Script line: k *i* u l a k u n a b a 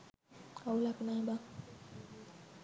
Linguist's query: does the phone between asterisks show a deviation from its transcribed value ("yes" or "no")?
yes